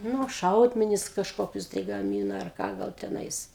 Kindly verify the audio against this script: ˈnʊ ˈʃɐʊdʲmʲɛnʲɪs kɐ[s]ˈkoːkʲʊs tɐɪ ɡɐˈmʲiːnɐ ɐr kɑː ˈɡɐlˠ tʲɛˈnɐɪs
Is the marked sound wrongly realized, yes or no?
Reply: yes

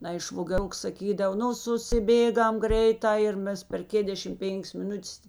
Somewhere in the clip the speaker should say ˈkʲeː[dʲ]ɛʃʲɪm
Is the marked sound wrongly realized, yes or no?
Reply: no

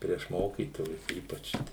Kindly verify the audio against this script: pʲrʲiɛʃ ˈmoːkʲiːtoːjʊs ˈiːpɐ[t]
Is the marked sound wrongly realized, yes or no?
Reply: yes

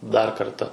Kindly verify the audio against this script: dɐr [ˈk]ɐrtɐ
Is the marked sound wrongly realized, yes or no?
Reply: no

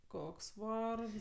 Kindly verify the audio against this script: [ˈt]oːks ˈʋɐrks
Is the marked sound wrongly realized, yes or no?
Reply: yes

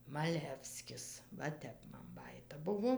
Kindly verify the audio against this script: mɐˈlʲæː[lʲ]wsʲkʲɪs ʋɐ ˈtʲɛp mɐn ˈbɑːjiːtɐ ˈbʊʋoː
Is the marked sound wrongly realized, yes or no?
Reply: yes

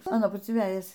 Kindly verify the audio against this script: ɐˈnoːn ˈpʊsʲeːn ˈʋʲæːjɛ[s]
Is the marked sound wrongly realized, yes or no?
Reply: no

